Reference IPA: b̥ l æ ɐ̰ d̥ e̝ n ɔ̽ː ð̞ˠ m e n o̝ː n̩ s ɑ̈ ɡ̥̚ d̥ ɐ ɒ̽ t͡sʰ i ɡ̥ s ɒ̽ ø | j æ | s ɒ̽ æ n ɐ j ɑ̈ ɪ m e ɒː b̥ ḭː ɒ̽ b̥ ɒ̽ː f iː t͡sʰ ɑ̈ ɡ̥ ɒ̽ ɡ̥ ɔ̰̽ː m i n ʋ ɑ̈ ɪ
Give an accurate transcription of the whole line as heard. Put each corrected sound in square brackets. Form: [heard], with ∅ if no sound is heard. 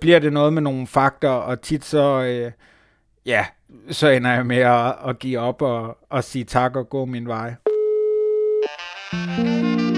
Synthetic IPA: b̥ l [i] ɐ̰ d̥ e̝ n ɔ̽ː ð̞ˠ m e n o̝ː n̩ [f] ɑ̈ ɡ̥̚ d̥ ɐ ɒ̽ t͡sʰ i [d̥] s ɒ̽ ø | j æ | s ɒ̽ [e] n ɐ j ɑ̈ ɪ m e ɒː [ɡ̥] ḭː ɒ̽ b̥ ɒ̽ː [s] iː t͡sʰ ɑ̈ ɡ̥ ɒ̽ ɡ̥ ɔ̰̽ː m i n ʋ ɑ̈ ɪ